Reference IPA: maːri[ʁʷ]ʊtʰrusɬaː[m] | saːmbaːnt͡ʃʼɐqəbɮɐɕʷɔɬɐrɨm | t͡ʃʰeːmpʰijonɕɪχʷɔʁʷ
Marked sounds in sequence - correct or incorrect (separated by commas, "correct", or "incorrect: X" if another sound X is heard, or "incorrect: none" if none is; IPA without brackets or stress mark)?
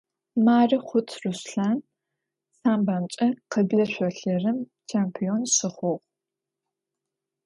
incorrect: χʷ, incorrect: n